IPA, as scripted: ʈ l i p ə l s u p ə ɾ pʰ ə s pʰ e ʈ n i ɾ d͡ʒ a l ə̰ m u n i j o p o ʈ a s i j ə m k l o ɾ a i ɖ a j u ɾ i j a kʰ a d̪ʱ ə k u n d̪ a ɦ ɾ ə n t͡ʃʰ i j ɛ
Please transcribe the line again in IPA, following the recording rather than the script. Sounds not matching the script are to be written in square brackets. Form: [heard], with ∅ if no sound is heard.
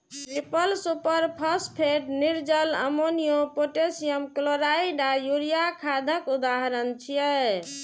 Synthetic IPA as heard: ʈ [ɾ] i p ə l s u p ə ɾ pʰ ə s pʰ e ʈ n i ɾ d͡ʒ [ə] l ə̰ m [o] n i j o p o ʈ [e] s i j ə m k l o ɾ a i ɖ a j u ɾ i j a kʰ a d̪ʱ ə k u [∅] d̪ a ɦ ɾ ə n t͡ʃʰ i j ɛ